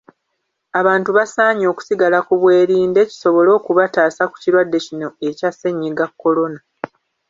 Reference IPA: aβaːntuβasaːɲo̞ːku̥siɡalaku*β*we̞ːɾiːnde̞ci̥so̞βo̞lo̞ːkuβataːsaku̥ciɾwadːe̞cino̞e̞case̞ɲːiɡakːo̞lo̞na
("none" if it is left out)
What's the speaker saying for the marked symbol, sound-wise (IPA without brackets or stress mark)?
β